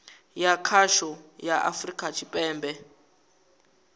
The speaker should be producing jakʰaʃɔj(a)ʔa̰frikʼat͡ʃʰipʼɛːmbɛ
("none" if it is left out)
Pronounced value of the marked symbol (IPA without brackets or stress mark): a